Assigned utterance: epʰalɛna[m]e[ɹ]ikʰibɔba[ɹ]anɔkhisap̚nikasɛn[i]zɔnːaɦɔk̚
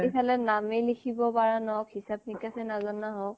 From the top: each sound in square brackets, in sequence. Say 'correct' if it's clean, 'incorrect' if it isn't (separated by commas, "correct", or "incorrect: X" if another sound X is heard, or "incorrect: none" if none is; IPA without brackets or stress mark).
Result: correct, incorrect: l, correct, incorrect: a